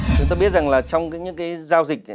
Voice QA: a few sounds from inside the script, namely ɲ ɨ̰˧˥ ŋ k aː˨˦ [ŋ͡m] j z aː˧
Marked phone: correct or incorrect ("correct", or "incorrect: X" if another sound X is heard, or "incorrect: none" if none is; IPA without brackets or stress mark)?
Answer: incorrect: none